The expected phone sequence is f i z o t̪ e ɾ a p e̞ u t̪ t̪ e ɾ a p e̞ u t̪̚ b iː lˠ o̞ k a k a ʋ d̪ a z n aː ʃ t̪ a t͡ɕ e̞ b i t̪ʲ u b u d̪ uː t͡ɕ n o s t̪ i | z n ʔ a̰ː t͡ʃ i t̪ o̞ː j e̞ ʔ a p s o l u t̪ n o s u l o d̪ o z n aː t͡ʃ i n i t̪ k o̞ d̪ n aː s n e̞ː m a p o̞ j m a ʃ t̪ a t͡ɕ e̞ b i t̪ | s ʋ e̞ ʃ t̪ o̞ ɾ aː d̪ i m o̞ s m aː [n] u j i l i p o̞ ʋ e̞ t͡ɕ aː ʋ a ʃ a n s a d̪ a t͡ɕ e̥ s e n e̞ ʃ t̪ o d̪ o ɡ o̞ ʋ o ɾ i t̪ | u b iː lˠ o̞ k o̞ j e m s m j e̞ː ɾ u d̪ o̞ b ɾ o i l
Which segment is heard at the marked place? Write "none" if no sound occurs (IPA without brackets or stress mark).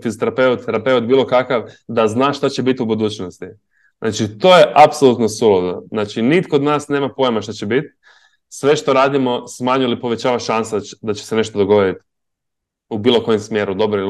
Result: ɲ